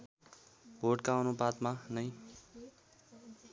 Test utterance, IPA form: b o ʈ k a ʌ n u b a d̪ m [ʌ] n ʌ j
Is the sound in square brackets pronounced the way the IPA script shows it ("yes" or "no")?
no